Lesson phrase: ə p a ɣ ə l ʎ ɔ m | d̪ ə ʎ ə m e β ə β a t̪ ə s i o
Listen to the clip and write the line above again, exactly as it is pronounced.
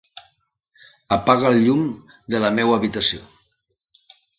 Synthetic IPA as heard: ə p a ɣ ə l ʎ u m | d̪ ə l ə m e w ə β i t̪ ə s i o